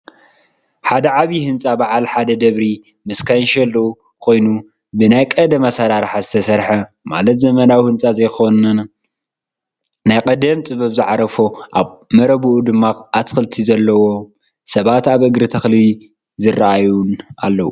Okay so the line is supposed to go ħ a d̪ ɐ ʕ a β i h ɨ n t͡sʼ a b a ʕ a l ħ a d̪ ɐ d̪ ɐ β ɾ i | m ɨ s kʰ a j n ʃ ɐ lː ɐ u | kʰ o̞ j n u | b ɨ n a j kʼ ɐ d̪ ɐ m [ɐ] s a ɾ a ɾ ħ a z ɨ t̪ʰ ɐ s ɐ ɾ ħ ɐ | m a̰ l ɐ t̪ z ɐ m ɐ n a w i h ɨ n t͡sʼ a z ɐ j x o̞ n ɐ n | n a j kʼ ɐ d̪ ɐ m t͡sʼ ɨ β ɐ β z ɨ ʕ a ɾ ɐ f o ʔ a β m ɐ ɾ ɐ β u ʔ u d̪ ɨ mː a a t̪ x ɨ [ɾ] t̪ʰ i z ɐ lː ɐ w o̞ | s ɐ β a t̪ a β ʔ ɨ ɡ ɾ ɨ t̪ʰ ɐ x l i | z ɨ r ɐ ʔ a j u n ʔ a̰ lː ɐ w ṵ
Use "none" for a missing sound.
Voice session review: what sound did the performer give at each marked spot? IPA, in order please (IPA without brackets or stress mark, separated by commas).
a, l